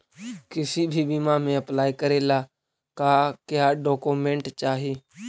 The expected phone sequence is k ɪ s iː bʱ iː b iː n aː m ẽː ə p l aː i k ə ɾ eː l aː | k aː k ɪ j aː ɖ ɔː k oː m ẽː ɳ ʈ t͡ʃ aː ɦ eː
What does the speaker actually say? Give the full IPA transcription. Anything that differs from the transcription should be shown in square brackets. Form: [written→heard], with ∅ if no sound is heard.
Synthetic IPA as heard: k ɪ s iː bʱ iː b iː [n→m] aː m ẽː ə p l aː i k ə ɾ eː l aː | k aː k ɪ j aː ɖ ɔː k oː m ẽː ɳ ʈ t͡ʃ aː ɦ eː

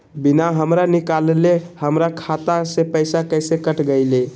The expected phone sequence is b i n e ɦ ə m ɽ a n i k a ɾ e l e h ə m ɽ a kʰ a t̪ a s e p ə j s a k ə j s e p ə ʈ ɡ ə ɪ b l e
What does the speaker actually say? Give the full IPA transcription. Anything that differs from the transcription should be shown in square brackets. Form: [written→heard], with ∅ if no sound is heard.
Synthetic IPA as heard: b i n [e→a] ɦ ə m [ɽ→ɾ] a n i k a [ɾ→l] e l e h ə m [ɽ→ɾ] a kʰ a t̪ a s e p ə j s a k ə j s e [p→k] ə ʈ ɡ ə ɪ [b→∅] l e

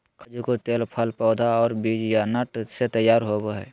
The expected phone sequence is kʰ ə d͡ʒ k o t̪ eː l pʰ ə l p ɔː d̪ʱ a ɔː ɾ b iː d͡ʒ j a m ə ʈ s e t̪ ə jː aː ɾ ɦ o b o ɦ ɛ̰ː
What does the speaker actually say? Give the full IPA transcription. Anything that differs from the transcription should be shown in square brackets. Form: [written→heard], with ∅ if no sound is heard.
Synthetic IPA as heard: kʰ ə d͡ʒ k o t̪ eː l pʰ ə l p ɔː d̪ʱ a ɔː ɾ b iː d͡ʒ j a [m→n] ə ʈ s e t̪ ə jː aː ɾ ɦ o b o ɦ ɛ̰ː

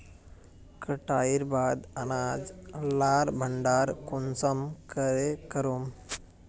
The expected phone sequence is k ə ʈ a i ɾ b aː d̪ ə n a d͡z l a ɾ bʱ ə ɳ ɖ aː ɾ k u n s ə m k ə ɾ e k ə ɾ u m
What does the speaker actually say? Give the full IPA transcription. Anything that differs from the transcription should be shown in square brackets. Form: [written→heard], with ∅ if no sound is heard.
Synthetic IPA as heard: k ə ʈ a i ɾ b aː d̪ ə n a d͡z l a ɾ bʱ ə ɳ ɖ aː ɾ k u n s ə m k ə ɾ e k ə ɾ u m

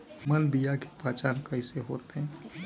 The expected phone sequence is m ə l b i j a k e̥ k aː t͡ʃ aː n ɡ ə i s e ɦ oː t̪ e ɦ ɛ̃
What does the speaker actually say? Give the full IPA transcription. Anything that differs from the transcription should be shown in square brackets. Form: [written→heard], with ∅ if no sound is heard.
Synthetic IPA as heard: m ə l b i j a k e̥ [k→p] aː t͡ʃ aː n [ɡ→k] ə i s e ɦ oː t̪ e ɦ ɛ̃

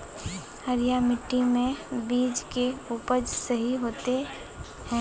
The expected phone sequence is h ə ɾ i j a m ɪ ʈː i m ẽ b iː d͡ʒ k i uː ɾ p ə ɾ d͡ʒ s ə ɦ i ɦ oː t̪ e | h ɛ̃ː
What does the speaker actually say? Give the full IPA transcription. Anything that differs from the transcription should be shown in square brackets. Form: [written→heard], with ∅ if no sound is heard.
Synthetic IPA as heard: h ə ɾ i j a m ɪ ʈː i m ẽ b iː d͡ʒ k [i→e] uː [ɾ→∅] p ə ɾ d͡ʒ s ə ɦ i ɦ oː t̪ e | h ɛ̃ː

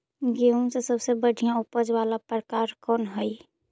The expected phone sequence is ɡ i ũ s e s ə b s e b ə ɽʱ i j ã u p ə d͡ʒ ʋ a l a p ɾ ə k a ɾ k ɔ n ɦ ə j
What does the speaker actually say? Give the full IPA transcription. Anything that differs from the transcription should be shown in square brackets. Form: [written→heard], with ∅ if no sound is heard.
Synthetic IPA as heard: ɡ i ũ s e s ə b s e b ə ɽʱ i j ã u p ə d͡ʒ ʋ a l a p ɾ ə k a ɾ k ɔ n ɦ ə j

